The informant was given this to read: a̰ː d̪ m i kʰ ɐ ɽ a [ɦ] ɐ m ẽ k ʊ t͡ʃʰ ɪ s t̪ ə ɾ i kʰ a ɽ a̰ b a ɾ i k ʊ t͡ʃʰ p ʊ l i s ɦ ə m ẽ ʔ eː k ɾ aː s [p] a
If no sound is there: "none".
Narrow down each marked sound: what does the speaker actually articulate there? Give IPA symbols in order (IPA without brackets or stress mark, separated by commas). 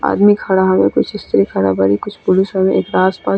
ɦ, p